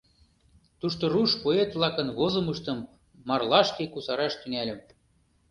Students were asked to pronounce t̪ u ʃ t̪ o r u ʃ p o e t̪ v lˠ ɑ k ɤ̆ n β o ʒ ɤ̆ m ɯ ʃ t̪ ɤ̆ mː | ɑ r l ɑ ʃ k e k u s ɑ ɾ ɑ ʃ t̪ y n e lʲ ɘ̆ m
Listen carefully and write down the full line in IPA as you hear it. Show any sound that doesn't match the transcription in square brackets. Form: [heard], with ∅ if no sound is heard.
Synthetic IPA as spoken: t̪ u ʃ t̪ o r u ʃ p o e t̪ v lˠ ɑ k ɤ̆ n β o [z] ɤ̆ m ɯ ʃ t̪ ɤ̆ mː | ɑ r l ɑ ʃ k e k u s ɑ ɾ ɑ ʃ t̪ y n [æ] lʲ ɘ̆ m